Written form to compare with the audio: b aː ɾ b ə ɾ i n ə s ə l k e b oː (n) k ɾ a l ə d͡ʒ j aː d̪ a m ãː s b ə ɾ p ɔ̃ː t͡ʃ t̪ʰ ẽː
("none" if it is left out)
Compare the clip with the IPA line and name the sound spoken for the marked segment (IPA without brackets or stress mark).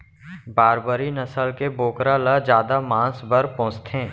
none